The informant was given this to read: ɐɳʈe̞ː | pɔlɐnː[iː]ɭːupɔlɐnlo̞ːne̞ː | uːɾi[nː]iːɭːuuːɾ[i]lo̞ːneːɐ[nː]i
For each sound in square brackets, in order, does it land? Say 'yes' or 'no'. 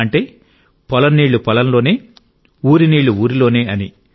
yes, no, yes, no

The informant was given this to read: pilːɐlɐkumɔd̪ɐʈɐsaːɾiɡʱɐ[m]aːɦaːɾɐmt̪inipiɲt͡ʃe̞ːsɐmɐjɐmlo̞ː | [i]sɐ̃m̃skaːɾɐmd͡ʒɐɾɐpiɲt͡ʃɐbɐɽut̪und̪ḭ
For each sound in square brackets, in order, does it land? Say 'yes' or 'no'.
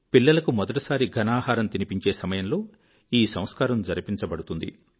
no, no

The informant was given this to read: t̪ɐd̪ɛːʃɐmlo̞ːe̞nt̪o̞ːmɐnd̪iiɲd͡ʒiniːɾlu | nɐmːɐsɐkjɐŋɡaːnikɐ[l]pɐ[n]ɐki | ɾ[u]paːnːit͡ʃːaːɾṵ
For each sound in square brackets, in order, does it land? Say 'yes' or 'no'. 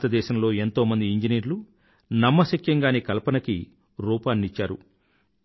yes, yes, no

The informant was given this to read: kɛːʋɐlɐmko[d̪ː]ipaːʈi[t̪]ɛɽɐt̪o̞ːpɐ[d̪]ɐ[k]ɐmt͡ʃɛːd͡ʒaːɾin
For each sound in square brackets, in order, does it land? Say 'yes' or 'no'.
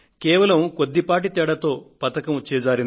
yes, yes, no, yes

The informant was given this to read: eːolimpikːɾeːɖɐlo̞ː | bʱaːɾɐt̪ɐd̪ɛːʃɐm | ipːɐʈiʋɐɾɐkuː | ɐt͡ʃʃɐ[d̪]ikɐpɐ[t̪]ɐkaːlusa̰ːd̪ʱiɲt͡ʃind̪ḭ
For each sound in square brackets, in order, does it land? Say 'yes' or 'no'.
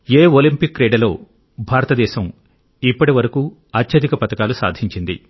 yes, yes

